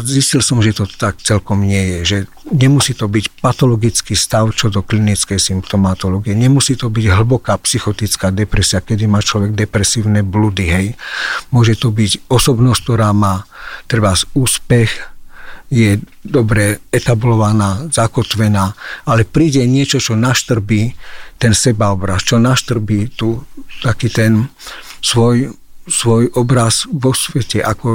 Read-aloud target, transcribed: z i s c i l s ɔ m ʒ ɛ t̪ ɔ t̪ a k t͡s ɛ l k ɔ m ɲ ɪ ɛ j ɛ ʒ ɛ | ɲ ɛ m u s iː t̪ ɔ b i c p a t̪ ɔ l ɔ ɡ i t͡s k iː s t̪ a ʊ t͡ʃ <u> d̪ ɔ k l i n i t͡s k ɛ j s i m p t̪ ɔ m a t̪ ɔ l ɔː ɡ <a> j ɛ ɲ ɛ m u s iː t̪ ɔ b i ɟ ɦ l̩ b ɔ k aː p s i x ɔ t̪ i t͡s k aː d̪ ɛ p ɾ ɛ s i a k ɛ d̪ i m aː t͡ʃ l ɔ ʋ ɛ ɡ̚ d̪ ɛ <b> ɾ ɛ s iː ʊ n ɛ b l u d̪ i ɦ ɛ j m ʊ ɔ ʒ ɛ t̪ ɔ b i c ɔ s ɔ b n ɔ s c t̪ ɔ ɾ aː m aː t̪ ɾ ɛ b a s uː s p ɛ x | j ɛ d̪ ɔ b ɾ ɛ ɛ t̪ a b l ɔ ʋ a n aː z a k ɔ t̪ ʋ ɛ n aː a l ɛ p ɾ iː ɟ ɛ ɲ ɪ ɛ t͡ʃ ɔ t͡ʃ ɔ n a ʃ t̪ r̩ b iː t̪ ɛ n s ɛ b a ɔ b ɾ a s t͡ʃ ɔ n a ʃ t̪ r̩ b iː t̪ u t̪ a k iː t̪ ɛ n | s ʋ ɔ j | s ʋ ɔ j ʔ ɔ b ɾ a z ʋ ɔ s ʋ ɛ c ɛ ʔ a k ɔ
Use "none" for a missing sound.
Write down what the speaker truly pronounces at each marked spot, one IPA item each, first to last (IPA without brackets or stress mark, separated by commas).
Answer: ɔ, i, p